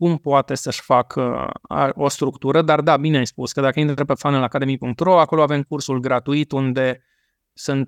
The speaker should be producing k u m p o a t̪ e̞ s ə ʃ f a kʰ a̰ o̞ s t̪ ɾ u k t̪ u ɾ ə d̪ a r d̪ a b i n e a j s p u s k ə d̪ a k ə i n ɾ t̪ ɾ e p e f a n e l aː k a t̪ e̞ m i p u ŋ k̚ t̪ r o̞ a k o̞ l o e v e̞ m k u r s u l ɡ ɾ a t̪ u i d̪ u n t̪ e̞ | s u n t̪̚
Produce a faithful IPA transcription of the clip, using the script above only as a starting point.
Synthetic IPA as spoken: k u m p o a t̪ e̞ s ə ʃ f a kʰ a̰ o̞ s t̪ ɾ u k t̪ u ɾ ə d̪ a r d̪ a b i n e a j s p u s k ə d̪ a k ə i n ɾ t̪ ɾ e p e f a n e l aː k a d̪ e̞ m i p u ŋ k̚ t̪ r o̞ a k o̞ l o a v e̞ m k u r s u l ɡ ɾ a t̪ u i t̪ u n d̪ e̞ | s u n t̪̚